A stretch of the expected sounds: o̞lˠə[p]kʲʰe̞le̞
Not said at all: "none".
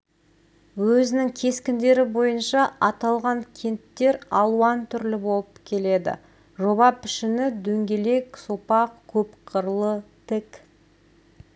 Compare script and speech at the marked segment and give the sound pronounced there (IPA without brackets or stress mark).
p